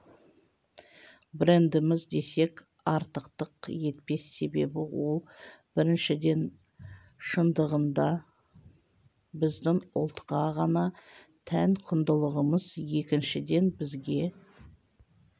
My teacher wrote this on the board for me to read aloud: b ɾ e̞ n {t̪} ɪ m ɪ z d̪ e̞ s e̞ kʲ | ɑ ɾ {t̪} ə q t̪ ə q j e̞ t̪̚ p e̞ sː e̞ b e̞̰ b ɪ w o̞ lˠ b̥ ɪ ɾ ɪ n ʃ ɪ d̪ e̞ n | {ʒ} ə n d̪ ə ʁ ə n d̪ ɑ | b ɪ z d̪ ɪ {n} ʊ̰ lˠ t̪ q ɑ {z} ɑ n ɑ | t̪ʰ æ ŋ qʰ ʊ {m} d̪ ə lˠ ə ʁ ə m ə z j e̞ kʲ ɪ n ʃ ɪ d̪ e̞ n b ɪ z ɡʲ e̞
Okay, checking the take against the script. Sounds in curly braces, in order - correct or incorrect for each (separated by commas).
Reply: incorrect, correct, incorrect, incorrect, incorrect, incorrect